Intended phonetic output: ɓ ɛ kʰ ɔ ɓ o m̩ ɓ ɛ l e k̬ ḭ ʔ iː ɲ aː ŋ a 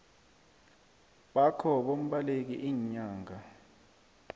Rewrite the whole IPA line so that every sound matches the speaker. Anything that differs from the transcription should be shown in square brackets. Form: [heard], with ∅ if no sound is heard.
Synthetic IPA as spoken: ɓ [a] kʰ ɔ ɓ o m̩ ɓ [a] l e k̬ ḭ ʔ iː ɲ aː ŋ a